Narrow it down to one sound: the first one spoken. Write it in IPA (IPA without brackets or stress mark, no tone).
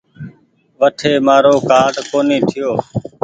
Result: ʋ